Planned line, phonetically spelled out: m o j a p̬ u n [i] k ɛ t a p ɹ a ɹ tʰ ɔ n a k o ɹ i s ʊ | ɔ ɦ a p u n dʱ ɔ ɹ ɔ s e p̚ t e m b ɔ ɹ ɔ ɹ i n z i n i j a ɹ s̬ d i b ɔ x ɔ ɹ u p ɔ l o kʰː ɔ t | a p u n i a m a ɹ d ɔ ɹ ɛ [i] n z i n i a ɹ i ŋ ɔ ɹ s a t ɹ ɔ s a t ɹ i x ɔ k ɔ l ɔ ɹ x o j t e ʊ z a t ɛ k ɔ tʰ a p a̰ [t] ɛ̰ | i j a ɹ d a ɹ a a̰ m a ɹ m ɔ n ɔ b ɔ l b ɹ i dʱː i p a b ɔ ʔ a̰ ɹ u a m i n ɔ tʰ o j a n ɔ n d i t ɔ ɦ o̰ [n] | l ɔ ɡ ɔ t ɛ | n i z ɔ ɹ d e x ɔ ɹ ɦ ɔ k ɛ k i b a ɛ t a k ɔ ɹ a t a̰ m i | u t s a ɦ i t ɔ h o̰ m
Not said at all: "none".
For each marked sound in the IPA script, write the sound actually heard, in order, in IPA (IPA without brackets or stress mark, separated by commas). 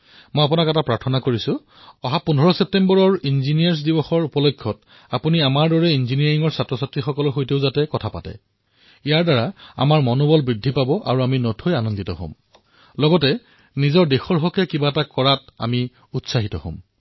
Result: a, i, t, m